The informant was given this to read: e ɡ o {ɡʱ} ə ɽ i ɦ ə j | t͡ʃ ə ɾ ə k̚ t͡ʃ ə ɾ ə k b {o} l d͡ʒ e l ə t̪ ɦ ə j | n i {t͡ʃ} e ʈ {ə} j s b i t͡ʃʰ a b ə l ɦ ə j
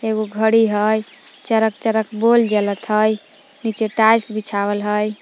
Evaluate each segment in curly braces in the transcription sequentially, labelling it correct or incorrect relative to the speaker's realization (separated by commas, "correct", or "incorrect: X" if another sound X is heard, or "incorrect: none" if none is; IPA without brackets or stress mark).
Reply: correct, correct, correct, incorrect: a